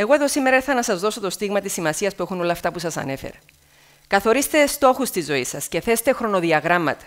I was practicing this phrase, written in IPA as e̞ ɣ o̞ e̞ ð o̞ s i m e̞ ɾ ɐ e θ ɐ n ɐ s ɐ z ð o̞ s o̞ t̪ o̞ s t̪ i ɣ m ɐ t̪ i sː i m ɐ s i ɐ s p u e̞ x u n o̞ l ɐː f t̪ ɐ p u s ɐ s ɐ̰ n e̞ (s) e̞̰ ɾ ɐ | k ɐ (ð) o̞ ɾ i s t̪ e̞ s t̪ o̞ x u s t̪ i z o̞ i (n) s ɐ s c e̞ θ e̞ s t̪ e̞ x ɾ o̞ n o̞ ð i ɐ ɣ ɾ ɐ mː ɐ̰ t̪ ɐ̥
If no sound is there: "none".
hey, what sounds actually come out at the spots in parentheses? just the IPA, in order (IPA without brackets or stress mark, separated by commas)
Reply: f, θ, none